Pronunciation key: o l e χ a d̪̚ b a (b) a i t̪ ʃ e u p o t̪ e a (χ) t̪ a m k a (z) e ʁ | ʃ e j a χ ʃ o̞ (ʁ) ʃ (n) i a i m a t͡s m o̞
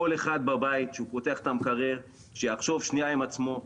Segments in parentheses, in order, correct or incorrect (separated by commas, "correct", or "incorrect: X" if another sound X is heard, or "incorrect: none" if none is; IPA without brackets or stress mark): correct, correct, incorrect: ʁ, incorrect: v, correct